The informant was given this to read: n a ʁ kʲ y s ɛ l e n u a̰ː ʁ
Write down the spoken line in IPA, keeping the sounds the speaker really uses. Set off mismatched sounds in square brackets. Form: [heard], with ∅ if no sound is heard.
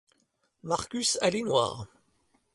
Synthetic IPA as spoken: [m] a ʁ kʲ y s [a] l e n [w] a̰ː ʁ